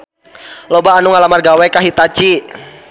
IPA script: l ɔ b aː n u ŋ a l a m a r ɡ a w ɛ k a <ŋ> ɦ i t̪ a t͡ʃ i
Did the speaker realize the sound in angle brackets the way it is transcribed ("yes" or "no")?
no